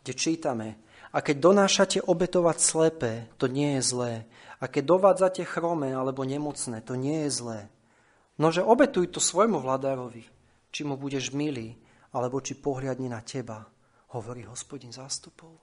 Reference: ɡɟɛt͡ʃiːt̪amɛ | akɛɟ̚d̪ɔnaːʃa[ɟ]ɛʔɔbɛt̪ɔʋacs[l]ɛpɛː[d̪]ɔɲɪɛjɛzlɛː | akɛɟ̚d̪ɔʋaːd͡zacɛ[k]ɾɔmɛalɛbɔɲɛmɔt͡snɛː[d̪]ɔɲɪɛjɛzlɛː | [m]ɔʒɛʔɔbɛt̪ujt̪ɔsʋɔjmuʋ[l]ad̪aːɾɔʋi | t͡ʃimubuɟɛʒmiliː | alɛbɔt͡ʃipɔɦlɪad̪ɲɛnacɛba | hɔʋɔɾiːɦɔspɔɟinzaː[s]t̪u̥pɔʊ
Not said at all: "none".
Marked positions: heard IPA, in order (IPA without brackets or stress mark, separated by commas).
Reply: c, l, t̪, x, t̪, n, l, s